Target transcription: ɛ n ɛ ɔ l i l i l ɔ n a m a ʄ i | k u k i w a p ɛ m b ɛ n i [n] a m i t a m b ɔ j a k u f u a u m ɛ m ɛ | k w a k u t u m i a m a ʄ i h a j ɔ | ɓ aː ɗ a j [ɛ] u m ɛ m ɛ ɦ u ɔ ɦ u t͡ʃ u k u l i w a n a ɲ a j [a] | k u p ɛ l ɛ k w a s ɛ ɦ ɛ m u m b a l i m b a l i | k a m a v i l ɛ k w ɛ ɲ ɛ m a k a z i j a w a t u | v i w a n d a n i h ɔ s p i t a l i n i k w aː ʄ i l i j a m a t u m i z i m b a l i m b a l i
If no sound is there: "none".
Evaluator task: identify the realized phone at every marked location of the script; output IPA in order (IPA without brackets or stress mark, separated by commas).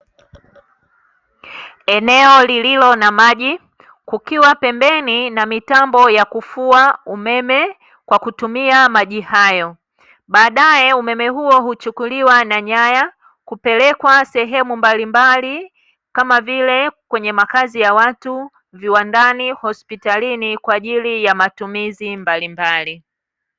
n, ɛ, a